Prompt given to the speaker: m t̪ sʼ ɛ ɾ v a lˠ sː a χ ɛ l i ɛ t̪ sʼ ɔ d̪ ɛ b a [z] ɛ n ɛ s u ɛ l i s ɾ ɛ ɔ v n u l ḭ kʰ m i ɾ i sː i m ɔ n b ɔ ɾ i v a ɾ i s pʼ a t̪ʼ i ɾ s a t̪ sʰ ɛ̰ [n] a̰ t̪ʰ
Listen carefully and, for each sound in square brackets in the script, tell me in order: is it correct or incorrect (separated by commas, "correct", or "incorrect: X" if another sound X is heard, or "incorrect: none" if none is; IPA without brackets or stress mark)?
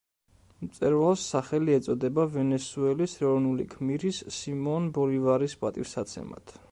incorrect: v, incorrect: m